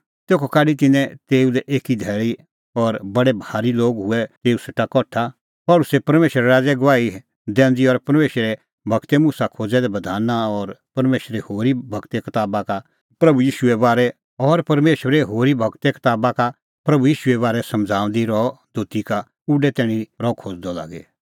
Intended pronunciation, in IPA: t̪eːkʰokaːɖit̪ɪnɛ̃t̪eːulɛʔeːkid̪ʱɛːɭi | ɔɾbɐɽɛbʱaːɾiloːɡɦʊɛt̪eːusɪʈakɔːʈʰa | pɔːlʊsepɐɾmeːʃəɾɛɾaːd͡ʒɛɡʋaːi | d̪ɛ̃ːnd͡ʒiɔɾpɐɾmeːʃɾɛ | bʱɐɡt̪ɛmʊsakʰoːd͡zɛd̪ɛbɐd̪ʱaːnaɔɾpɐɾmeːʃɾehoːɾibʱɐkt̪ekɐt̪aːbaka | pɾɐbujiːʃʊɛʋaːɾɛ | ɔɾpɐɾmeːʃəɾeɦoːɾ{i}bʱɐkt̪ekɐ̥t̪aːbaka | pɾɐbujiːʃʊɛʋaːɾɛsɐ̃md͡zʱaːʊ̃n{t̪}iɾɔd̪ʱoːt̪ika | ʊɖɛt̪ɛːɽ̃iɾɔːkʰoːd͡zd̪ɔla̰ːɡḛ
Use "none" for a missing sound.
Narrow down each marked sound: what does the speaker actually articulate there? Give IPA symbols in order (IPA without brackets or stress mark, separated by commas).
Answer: i, d̪